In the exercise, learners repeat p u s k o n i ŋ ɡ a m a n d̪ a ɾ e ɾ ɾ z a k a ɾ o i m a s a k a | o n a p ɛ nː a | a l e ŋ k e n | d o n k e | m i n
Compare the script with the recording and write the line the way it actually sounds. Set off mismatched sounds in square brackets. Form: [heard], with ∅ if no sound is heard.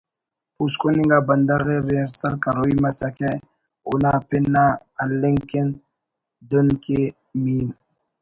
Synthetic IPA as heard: p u s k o n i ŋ ɡ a [b] a n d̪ a ɾ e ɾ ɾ [s] a k a ɾ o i m a s a k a | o n a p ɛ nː a | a l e ŋ k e n | d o n k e | m i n